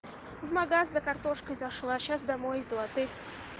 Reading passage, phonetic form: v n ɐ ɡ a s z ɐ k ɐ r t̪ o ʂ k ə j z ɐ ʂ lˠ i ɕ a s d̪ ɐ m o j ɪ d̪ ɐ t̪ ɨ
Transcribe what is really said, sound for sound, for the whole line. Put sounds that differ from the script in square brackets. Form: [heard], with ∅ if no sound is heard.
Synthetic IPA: v [m] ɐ ɡ a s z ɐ k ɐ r t̪ o ʂ k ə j z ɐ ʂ lˠ [a] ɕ a s d̪ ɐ m o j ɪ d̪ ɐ t̪ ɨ